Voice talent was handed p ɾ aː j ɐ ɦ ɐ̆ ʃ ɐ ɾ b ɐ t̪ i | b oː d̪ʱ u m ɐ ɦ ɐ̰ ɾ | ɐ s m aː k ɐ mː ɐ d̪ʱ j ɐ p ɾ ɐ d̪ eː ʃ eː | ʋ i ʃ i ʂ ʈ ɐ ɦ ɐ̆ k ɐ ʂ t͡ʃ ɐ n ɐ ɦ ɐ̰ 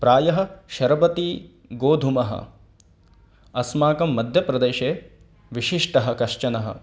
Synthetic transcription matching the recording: p ɾ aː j ɐ ɦ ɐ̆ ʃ ɐ ɾ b ɐ t̪ i | ɡ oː d̪ʱ u m ɐ ɦ ɐ̰ | ɐ s m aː k ɐ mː ɐ d̪ʱ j ɐ p ɾ ɐ d̪ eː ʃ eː | ʋ i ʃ i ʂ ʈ ɐ ɦ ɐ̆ k ɐ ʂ t͡ʃ ɐ n ɐ ɦ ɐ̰